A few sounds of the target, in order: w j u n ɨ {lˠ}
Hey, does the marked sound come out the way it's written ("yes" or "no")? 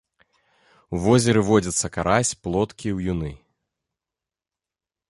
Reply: no